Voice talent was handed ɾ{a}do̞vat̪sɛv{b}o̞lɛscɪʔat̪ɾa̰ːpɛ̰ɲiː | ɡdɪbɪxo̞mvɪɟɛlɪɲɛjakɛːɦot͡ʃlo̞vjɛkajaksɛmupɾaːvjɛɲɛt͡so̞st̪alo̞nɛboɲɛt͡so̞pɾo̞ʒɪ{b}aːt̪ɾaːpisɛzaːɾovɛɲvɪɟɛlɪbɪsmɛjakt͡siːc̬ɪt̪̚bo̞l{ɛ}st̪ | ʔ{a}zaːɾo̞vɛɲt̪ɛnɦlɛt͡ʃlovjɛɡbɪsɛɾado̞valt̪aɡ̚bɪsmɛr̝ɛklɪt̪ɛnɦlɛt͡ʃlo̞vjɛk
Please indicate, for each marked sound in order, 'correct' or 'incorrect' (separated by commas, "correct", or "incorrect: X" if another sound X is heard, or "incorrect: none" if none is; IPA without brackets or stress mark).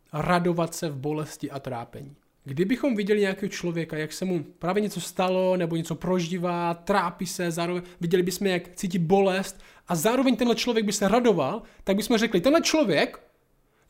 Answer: correct, correct, incorrect: v, correct, correct